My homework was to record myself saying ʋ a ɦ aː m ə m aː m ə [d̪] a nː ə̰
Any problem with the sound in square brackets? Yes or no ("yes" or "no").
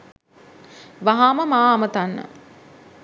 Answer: yes